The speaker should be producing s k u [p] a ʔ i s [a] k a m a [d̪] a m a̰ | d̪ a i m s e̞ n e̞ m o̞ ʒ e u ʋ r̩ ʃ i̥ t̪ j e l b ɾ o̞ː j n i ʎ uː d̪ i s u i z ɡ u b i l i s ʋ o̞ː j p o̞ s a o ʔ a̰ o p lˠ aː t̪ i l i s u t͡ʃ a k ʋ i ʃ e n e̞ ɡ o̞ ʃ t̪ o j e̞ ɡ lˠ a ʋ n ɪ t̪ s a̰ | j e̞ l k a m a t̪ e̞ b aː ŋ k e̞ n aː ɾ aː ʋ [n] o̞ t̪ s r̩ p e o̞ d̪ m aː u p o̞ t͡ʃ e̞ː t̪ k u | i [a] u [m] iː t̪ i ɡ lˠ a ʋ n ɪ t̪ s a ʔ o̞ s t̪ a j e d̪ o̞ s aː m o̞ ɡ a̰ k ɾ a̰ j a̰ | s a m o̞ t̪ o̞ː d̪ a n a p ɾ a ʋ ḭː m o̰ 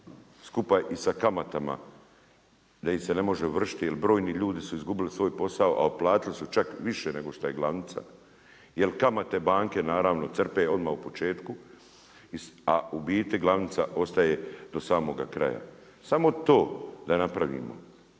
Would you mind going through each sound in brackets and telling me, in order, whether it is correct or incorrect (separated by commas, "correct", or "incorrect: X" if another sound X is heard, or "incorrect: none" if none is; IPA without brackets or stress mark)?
correct, correct, incorrect: t̪, correct, correct, incorrect: b